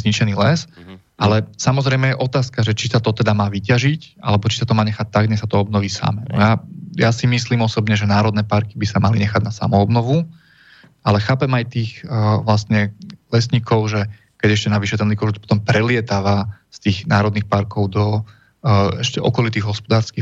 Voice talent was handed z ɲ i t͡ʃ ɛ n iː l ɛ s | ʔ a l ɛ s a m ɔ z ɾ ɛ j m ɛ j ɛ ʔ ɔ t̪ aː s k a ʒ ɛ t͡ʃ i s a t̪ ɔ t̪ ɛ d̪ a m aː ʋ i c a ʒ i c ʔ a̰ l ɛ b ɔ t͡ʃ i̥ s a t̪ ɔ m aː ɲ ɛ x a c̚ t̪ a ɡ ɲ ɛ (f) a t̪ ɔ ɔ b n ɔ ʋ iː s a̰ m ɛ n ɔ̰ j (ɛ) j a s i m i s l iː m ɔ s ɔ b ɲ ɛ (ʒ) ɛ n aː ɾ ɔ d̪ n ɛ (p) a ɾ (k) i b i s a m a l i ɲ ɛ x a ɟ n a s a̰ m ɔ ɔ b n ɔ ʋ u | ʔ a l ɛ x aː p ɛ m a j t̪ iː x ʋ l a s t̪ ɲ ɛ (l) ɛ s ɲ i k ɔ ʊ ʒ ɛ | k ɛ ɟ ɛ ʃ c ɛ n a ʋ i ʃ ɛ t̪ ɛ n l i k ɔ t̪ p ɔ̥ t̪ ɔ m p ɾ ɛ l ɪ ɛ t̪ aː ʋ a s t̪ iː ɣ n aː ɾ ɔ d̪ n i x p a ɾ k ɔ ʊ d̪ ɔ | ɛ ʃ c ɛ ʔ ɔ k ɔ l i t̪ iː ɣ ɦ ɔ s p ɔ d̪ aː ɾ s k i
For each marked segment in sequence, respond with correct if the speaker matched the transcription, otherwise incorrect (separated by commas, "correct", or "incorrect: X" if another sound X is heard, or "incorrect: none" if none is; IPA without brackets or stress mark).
incorrect: s, incorrect: a, correct, correct, correct, correct